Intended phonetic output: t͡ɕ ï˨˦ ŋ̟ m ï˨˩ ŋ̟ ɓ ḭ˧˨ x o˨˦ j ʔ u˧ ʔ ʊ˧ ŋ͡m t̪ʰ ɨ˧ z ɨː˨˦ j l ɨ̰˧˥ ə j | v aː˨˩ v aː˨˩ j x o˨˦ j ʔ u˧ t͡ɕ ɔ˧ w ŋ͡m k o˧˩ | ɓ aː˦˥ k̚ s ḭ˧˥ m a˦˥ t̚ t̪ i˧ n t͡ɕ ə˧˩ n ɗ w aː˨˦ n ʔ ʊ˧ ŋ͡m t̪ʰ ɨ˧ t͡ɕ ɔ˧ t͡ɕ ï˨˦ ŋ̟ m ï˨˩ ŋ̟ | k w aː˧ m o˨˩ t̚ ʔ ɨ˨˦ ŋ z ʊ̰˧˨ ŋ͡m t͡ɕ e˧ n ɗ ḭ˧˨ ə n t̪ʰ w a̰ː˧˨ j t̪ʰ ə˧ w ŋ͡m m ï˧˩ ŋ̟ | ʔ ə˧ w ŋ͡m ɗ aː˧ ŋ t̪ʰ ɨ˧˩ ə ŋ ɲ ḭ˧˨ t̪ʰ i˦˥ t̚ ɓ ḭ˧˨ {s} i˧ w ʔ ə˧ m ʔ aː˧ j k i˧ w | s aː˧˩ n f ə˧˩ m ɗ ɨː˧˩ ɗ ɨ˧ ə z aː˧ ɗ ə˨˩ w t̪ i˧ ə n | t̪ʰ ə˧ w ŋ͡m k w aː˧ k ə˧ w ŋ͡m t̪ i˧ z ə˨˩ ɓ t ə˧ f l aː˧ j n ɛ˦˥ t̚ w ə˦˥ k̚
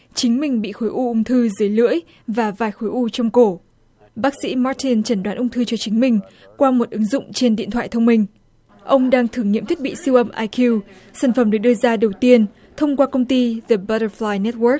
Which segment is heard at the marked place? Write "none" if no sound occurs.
s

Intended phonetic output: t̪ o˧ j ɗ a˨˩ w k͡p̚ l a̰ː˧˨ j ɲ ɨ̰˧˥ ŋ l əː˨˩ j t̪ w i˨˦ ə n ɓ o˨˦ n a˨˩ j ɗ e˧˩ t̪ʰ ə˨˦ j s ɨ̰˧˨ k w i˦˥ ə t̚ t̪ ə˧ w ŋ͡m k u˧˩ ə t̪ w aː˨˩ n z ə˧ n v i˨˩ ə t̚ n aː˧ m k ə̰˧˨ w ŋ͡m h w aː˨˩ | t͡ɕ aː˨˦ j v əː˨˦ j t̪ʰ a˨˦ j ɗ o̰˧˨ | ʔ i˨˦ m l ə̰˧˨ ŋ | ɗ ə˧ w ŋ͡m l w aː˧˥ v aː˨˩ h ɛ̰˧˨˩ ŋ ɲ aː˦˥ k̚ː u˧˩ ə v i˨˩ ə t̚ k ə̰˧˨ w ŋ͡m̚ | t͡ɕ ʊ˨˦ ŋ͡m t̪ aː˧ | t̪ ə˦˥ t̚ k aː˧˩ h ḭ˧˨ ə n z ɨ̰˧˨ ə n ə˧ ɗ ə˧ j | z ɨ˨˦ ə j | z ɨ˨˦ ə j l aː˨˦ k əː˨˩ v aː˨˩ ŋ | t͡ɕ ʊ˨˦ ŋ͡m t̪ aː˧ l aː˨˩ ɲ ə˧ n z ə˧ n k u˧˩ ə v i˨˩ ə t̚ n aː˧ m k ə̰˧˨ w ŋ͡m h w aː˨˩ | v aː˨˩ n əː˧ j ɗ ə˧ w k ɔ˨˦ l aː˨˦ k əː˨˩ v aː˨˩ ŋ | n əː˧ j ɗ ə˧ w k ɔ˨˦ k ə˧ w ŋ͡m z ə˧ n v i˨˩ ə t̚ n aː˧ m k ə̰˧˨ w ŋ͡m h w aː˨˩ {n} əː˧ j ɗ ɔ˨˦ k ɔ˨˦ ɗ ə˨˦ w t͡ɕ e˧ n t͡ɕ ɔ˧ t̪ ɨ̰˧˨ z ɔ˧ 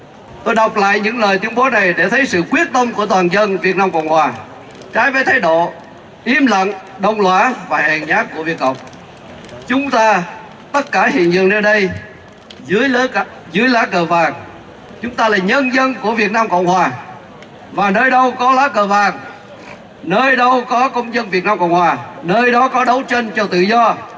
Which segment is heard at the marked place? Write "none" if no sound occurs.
n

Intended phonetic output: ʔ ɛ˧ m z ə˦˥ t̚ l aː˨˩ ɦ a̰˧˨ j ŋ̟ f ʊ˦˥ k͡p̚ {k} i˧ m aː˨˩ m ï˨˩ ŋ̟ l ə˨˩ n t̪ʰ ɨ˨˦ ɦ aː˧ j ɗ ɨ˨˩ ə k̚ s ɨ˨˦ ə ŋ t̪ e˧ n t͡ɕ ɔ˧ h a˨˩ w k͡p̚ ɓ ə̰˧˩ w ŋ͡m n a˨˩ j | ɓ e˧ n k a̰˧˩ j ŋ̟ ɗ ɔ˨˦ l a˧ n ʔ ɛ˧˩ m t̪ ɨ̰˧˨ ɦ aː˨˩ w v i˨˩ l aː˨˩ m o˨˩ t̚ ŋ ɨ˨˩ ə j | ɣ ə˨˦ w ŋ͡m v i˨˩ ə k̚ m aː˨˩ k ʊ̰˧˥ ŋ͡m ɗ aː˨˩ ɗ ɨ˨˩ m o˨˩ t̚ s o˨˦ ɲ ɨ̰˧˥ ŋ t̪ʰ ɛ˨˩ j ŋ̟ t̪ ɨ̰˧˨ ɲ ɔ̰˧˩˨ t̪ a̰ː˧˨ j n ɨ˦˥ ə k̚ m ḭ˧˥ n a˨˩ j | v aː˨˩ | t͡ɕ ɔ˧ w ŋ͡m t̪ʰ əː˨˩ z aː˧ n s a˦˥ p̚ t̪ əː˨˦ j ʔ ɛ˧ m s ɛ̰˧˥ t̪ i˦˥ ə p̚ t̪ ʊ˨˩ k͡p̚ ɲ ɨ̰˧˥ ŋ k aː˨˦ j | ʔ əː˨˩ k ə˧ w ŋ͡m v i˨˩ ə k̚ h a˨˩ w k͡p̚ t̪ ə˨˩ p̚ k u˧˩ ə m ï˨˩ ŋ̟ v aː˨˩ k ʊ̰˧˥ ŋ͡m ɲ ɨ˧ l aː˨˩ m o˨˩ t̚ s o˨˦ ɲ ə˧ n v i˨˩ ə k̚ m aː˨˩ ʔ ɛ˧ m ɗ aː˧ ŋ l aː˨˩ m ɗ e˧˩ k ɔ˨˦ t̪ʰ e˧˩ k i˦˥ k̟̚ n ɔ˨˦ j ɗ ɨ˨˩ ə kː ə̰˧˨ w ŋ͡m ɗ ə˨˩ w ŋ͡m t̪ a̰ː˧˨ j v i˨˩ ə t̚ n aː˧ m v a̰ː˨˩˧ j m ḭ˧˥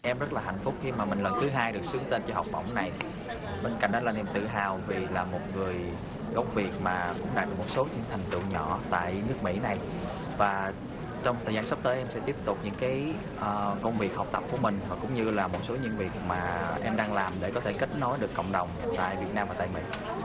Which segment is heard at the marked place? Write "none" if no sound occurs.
x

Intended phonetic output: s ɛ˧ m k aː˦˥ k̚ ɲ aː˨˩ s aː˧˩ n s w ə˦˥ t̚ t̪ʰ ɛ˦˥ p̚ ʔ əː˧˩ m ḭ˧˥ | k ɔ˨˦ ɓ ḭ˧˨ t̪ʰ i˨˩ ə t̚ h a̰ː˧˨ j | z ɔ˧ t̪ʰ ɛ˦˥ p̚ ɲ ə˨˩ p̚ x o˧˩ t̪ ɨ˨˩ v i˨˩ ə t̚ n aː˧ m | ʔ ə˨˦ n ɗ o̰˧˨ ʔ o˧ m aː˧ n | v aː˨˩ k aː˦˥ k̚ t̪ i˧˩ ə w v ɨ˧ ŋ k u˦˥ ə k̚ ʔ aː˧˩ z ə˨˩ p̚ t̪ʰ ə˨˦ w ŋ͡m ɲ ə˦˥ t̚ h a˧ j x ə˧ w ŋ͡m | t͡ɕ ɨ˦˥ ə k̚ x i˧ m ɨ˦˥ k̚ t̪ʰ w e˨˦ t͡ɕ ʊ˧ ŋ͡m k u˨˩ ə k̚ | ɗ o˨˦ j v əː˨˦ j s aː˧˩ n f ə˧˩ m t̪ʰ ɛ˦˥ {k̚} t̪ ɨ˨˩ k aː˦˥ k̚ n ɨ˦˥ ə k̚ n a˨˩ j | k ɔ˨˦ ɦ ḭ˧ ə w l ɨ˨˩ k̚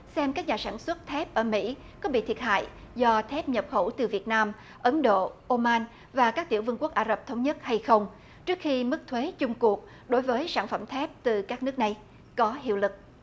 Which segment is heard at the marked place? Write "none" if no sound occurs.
p̚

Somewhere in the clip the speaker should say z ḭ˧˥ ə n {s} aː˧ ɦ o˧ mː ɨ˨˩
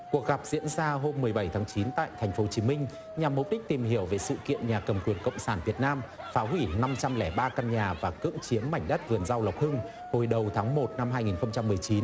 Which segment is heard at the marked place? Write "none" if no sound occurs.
z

